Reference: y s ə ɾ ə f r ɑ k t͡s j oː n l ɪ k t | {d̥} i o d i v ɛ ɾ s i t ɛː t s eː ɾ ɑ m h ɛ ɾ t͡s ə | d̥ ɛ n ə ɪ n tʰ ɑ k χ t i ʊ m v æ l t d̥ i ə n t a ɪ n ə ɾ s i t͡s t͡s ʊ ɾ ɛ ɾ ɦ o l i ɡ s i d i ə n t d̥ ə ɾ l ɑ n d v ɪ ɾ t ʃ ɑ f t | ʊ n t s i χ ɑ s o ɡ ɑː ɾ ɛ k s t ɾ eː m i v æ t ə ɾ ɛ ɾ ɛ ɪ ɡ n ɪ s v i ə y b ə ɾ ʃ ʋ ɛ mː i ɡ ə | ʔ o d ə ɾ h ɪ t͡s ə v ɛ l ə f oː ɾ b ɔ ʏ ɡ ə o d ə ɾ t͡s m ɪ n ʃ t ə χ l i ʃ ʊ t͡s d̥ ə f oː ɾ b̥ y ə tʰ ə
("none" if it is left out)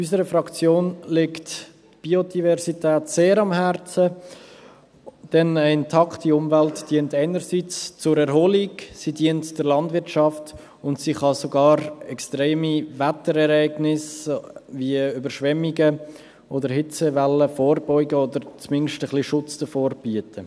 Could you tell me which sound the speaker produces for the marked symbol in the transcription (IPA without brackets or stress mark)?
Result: b̥